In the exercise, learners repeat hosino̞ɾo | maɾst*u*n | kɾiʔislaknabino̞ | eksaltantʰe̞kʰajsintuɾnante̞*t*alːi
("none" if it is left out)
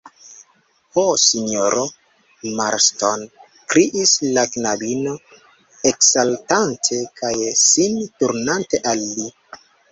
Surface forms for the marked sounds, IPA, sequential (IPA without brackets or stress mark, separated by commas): o, ʔ